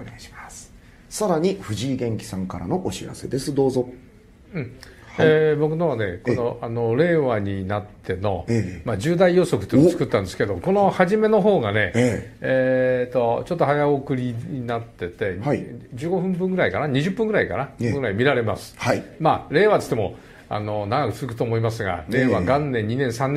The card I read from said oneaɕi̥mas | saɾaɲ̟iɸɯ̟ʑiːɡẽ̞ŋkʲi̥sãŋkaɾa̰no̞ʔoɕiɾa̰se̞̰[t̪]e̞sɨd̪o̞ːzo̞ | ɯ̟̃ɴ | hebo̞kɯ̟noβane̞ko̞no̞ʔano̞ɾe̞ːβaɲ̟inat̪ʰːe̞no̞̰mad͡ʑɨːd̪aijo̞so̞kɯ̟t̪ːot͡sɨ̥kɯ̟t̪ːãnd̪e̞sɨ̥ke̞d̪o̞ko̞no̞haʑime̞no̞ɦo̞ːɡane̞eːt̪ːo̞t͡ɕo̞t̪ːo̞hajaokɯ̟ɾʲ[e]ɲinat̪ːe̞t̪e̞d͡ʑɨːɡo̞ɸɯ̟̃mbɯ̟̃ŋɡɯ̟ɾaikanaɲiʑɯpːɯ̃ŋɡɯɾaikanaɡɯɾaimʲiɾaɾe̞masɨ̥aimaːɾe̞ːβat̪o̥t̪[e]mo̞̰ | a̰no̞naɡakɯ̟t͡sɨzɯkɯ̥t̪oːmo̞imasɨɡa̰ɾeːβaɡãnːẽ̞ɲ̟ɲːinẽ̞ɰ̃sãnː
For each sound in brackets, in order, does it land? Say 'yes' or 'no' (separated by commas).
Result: no, no, yes